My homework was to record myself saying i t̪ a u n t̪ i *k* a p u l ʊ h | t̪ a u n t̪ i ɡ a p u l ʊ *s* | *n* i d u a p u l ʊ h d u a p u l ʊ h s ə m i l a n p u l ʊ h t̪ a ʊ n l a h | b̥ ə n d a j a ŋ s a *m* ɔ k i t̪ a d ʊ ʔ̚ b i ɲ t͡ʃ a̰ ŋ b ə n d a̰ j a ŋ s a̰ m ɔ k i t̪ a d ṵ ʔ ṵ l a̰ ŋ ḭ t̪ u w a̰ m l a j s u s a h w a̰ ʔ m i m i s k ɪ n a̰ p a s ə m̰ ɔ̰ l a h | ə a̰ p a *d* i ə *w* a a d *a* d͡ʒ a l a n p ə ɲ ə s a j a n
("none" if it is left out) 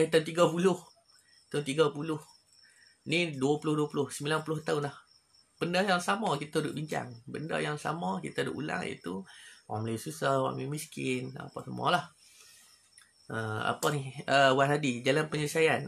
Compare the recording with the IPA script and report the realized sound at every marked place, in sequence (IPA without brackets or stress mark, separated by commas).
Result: ɡ, h, n, m, n, w, i